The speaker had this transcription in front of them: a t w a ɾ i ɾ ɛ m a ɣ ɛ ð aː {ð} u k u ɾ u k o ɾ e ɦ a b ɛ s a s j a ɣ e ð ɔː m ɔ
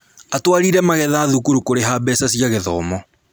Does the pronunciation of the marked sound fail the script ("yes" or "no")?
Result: no